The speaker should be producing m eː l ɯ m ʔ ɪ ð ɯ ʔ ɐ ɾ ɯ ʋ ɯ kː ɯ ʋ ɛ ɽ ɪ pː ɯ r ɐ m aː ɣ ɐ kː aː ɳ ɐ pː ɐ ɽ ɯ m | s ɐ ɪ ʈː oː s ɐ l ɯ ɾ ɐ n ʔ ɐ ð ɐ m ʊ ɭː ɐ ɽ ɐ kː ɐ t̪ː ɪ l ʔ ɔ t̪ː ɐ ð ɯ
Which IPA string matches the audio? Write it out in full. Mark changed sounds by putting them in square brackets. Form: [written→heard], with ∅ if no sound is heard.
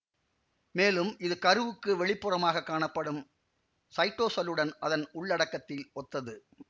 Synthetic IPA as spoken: m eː l ɯ m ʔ ɪ ð ɯ [ʔ→k] ɐ ɾ ɯ ʋ ɯ kː ɯ ʋ ɛ [ɽ→ɭ] ɪ pː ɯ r ɐ m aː ɣ ɐ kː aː ɳ ɐ pː ɐ ɽ ɯ m | s ɐ ɪ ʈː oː s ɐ l ɯ [ɾ→ɽ] ɐ n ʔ ɐ ð ɐ [m→n] ʊ ɭː ɐ ɽ ɐ kː ɐ t̪ː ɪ l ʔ ɔ t̪ː ɐ ð ɯ

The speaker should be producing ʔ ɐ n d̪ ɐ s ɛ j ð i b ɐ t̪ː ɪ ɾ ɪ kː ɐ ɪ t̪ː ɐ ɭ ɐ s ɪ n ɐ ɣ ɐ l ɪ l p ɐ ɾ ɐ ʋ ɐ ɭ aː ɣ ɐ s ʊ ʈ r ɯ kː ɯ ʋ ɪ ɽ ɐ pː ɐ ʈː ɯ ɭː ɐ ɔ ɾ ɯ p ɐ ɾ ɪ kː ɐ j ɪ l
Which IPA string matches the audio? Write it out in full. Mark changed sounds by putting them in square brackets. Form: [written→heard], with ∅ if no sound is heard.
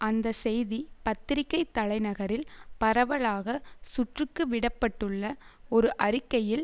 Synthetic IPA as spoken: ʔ ɐ n d̪ ɐ s ɛ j ð i [b→p] ɐ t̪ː ɪ ɾ ɪ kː ɐ ɪ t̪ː ɐ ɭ ɐ [s→∅] ɪ n ɐ ɣ ɐ [l→ɾ] ɪ l p ɐ ɾ ɐ ʋ ɐ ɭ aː ɣ ɐ s ʊ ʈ r ɯ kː ɯ ʋ ɪ ɽ ɐ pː ɐ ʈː ɯ ɭː ɐ ɔ ɾ ɯ [p→ʔ] ɐ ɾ ɪ kː ɐ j ɪ l

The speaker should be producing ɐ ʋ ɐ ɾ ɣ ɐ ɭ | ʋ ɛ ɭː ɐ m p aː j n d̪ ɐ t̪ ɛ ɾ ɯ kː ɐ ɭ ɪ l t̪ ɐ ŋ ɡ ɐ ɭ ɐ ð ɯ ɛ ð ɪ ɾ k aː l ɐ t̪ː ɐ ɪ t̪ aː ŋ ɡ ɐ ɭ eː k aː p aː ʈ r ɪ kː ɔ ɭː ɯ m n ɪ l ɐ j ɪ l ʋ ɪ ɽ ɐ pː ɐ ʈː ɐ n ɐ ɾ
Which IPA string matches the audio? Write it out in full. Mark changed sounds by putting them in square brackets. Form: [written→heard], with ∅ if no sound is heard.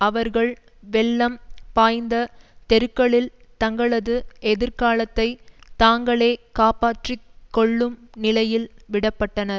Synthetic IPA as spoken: ɐ ʋ ɐ ɾ ɣ ɐ ɭ | ʋ ɛ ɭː ɐ m p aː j n d̪ ɐ t̪ ɛ ɾ ɯ kː ɐ ɭ ɪ l t̪ ɐ ŋ ɡ ɐ ɭ ɐ ð ɯ ɛ ð ɪ ɾ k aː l ɐ t̪ː ɐ ɪ t̪ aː ŋ ɡ ɐ ɭ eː k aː p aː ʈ r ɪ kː ɔ ɭː ɯ m n ɪ l ɐ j ɪ l ʋ ɪ ɽ ɐ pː ɐ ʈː ɐ n ɐ ɾ

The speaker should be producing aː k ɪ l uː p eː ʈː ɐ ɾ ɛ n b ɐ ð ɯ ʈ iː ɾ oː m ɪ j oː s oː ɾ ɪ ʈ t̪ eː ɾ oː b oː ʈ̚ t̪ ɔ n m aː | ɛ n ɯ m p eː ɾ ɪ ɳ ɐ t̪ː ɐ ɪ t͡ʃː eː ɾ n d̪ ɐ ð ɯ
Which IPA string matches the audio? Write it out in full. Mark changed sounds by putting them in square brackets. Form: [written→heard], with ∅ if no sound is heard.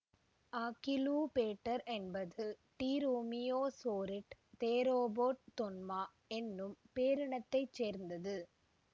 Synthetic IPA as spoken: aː k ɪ l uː p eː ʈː ɐ ɾ ɛ n b ɐ ð ɯ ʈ iː ɾ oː m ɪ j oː s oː ɾ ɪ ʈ t̪ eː ɾ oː b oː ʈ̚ t̪ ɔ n m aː | ɛ [n→nː] ɯ m p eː ɾ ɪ ɳ ɐ t̪ː ɐ ɪ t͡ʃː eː ɾ n d̪ ɐ ð ɯ

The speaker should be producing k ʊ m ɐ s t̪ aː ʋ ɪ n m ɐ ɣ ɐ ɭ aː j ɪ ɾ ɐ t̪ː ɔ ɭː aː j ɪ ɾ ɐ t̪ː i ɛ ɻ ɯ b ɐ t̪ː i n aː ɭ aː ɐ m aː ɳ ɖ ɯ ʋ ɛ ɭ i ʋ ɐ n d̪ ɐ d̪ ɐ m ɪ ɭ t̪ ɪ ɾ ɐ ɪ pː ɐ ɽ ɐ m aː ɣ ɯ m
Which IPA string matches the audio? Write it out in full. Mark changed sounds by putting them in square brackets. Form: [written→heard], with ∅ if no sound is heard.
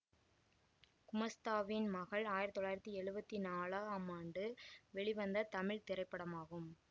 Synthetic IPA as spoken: k ʊ m ɐ s t̪ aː ʋ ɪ n m ɐ ɣ ɐ ɭ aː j ɪ ɾ ɐ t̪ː ɔ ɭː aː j ɪ ɾ ɐ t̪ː i ɛ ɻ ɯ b ɐ t̪ː i n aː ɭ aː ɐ m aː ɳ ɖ ɯ ʋ ɛ ɭ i ʋ ɐ n d̪ ɐ [d̪→t̪] ɐ m ɪ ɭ t̪ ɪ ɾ ɐ ɪ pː ɐ ɽ ɐ m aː ɣ ɯ m

